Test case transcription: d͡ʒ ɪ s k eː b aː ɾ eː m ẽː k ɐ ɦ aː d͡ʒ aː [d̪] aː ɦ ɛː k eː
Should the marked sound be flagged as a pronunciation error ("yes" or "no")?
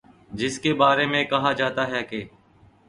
yes